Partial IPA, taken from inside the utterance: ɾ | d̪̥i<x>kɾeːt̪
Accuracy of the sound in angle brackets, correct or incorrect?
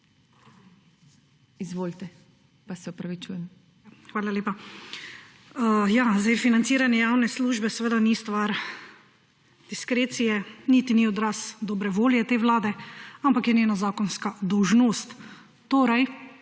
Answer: incorrect